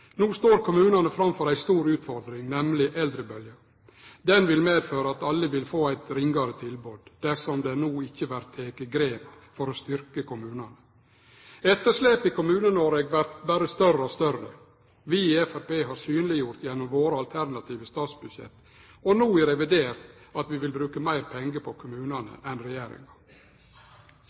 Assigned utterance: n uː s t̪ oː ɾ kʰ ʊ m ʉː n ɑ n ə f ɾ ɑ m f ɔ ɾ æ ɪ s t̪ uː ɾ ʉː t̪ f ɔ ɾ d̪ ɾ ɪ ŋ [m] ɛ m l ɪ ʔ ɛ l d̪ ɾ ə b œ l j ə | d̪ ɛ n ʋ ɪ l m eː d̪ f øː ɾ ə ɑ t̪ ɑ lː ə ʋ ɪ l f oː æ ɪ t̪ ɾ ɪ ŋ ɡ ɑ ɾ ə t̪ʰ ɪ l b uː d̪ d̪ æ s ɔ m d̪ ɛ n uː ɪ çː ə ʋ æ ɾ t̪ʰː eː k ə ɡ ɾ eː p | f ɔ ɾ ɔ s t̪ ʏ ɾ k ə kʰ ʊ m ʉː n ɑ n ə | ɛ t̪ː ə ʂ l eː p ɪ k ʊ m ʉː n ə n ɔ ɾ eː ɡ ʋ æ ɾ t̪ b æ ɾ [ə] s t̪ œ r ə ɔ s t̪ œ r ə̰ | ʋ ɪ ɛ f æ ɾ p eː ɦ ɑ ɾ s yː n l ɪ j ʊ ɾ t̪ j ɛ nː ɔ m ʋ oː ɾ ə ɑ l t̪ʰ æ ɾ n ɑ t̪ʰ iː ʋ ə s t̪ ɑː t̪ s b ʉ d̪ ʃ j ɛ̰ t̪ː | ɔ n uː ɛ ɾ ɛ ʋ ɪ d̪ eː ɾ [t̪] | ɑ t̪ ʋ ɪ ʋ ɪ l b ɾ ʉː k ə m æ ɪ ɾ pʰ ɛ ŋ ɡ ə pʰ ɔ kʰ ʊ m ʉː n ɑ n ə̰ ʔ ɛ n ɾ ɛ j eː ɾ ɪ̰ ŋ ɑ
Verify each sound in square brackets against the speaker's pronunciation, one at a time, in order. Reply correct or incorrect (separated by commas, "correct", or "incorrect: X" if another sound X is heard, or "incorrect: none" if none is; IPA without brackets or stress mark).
incorrect: n, correct, correct